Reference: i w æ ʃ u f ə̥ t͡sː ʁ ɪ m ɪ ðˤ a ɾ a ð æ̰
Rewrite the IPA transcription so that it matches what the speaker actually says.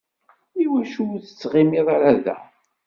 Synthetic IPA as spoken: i w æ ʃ u θ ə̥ t͡sː ʁ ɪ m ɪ ðˤ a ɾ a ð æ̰